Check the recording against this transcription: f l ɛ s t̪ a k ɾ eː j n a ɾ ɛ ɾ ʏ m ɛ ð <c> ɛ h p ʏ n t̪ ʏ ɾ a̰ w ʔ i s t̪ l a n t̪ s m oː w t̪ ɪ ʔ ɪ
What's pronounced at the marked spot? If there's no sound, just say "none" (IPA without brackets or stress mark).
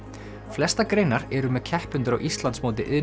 cʰ